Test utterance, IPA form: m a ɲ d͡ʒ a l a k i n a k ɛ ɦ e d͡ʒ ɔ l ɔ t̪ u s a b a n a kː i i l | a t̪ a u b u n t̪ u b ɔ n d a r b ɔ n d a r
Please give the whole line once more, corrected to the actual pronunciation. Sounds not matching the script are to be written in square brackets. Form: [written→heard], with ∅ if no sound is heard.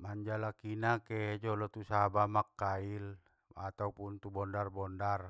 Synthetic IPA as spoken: m a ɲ d͡ʒ a l a k i n a k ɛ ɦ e d͡ʒ ɔ l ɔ t̪ u s a b a [n→m] a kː [i→a] i l | a t̪ a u [b→p] u n t̪ u b ɔ n d a r b ɔ n d a r